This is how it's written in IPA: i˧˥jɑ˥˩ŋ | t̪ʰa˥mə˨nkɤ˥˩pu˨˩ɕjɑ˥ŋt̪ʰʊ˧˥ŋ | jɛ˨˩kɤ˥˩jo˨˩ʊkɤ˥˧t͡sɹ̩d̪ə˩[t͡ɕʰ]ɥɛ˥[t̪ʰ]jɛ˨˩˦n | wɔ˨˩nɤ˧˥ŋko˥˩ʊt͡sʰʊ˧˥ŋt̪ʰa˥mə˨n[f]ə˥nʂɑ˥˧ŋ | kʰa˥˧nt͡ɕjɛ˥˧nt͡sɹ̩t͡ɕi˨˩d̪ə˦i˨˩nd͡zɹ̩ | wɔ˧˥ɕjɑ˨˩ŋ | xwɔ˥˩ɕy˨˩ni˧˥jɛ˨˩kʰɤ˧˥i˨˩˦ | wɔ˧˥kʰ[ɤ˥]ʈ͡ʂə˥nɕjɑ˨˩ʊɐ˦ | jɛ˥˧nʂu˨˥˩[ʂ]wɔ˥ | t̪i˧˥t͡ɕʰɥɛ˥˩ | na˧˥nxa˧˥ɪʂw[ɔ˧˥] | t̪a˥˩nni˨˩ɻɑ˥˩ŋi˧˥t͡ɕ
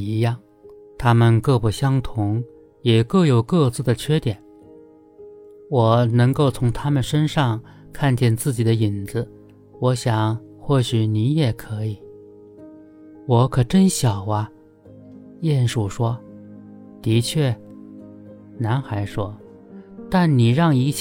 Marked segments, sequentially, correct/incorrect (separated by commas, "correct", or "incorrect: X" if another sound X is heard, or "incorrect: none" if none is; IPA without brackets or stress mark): correct, incorrect: t̪, incorrect: ʂ, incorrect: ɤ˨˩, correct, incorrect: ɔ˥